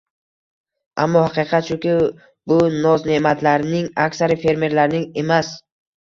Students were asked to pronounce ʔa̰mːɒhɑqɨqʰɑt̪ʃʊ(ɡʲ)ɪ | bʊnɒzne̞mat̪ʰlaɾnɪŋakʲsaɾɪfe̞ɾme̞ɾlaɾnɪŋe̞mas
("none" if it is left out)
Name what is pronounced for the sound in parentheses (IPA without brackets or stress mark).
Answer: kʲ